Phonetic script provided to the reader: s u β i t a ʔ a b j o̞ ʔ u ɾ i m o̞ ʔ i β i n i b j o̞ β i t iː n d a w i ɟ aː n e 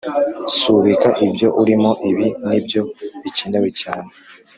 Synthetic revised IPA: s u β i k a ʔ i b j o̞ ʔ u ɾ i m o̞ ʔ i β i n i b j o̞ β i c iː n d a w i c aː n e